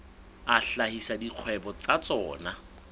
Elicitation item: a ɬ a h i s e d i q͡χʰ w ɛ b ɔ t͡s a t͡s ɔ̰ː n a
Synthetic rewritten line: a ɬ a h i s a d i q͡χʰ w ɛ b ɔ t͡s a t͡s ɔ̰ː n a